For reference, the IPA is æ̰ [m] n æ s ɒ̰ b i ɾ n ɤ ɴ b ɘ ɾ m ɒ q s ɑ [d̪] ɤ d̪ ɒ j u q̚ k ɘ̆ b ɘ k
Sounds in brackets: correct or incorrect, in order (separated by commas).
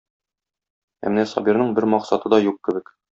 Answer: correct, incorrect